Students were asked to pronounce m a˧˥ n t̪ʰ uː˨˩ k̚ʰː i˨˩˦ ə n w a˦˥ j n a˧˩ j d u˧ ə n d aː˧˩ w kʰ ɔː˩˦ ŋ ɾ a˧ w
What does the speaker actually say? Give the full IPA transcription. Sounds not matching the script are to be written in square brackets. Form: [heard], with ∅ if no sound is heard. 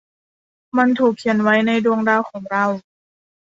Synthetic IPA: m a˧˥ n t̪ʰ uː˨˩ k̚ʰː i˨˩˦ ə n w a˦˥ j n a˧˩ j d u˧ ə [ŋ] d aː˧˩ w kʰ ɔː˩˦ ŋ ɾ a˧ w

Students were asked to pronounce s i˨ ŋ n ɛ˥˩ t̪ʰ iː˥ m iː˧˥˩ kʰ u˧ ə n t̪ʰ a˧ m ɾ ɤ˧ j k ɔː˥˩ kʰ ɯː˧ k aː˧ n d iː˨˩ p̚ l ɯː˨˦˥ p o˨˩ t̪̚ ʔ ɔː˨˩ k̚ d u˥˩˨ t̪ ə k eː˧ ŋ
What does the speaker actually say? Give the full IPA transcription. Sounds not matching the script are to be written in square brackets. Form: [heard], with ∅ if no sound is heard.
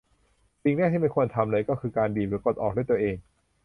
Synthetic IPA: s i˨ ŋ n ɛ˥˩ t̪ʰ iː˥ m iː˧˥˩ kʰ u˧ ə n t̪ʰ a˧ m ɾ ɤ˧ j k ɔː˥˩ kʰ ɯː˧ k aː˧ n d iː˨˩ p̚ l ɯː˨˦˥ [k] o˨˩ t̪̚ ʔ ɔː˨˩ k̚ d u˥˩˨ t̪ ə [ʔ] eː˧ ŋ

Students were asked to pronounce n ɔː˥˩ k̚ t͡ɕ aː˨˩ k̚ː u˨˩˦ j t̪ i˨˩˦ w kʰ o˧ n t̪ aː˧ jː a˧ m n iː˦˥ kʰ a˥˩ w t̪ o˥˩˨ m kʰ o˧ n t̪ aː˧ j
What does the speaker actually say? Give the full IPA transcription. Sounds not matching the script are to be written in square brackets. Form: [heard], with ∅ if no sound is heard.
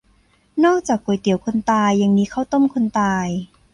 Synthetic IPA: n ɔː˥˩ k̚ t͡ɕ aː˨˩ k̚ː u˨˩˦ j t̪ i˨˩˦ w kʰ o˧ n t̪ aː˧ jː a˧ [ŋ] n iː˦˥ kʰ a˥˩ w t̪ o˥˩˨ m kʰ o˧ n t̪ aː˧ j

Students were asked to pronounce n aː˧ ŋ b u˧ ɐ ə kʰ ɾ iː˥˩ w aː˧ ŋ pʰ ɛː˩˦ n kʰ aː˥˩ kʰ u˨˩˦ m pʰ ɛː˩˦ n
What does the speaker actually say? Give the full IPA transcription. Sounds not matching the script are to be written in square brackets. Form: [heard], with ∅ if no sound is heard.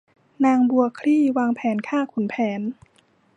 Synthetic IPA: n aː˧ ŋ b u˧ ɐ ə kʰ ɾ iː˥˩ w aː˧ ŋ pʰ ɛː˩˦ n kʰ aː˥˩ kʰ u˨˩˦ [n] pʰ ɛː˩˦ n

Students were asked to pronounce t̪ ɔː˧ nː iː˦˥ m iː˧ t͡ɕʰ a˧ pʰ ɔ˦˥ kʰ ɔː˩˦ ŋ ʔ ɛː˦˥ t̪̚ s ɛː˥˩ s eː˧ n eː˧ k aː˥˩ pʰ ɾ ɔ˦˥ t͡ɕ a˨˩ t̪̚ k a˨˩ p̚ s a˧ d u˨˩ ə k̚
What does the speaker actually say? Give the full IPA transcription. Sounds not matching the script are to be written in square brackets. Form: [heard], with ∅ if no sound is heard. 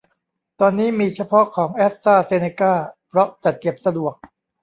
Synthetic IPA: t̪ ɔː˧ nː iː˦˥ m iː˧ t͡ɕʰ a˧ pʰ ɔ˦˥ kʰ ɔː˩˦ ŋ ʔ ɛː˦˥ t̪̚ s [aː˥˩] s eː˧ n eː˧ k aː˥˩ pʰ ɾ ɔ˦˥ t͡ɕ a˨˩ t̪̚ k [e˨˩] p̚ s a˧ d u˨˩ ə k̚

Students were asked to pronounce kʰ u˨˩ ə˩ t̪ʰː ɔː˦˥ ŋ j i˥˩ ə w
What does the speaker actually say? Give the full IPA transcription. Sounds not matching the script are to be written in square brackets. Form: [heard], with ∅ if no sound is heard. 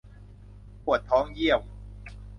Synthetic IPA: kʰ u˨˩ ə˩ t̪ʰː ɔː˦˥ ŋ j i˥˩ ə w

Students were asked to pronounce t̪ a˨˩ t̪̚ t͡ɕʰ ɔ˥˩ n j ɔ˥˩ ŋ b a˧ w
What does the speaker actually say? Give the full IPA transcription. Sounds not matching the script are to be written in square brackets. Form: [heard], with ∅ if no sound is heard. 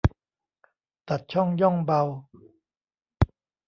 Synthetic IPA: t̪ a˨˩ t̪̚ t͡ɕʰ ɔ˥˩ [ŋ] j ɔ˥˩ ŋ b a˧ w

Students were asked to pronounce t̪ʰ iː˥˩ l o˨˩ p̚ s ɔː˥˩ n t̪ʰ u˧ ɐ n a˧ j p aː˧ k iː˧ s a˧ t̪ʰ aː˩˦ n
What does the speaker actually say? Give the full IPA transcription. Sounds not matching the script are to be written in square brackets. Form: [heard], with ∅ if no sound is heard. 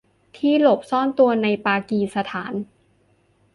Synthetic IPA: t̪ʰ iː˥˩ l o˨˩ p̚ s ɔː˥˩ n [t̪] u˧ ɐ n a˧ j p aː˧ k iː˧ s a˧ t̪ʰ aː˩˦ n

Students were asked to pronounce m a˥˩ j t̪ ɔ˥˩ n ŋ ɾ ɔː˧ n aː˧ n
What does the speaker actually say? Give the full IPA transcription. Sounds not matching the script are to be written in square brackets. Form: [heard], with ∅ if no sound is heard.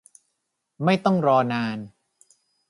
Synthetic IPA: m a˥˩ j t̪ ɔ˥˩ [∅] ŋ ɾ ɔː˧ n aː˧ n

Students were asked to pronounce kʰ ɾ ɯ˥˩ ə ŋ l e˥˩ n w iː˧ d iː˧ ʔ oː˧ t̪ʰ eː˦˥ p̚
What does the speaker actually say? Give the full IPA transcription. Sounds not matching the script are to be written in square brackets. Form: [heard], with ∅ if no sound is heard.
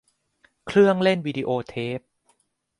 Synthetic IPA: kʰ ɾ ɯ˥˩ ə ŋ l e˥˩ n w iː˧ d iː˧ ʔ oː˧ t̪ʰ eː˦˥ p̚

